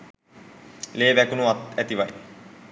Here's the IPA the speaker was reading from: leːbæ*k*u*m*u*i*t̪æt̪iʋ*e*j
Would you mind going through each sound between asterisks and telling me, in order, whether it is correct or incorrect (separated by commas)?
correct, incorrect, incorrect, incorrect